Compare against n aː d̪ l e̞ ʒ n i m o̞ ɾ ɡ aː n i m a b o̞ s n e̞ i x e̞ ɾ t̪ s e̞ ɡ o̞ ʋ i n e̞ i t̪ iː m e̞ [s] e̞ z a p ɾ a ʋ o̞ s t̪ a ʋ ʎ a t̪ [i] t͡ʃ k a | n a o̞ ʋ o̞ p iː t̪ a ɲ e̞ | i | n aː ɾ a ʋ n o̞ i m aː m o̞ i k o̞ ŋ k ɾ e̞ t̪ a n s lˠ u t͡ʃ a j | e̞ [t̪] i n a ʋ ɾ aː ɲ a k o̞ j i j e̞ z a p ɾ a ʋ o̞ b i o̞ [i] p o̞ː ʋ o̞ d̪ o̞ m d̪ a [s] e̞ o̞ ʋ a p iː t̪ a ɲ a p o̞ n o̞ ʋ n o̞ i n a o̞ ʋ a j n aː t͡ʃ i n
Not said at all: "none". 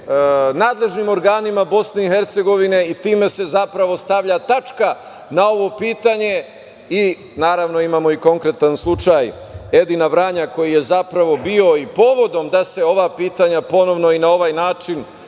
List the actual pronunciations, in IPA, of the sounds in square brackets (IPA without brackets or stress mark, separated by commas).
s, a, d̪, i, s